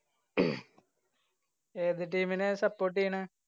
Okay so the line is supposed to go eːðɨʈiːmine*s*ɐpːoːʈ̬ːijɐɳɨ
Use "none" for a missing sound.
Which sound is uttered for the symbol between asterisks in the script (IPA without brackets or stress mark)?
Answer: s